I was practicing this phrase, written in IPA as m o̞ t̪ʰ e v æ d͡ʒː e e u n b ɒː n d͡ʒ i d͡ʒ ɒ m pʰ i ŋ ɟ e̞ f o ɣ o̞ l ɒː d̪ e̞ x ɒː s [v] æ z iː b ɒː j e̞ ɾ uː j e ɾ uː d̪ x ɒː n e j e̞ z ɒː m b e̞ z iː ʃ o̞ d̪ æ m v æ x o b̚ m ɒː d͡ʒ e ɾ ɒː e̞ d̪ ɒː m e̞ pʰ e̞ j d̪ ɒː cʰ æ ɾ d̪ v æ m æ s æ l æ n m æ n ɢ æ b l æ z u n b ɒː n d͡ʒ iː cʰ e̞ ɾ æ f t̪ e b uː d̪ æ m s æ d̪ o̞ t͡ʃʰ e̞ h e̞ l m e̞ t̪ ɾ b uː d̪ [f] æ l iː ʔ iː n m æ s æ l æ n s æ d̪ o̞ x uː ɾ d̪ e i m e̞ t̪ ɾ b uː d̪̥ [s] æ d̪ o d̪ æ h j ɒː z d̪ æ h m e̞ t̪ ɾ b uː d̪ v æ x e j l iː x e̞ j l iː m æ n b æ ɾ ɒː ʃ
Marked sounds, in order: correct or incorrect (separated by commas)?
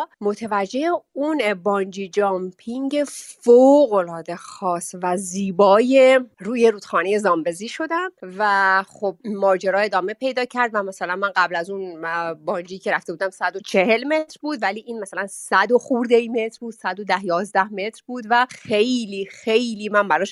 correct, incorrect, correct